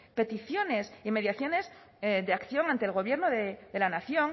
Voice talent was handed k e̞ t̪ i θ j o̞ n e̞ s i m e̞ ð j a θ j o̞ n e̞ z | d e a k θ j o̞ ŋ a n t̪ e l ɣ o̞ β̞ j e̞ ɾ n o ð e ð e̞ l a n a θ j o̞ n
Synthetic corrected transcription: p e̞ t̪ i θ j o̞ n e̞ s i m e̞ ð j a θ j o̞ n e̞ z | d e a k θ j o̞ ŋ a n t̪ e l ɣ o̞ β̞ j e̞ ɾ n o ð e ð e̞ l a n a θ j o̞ ŋ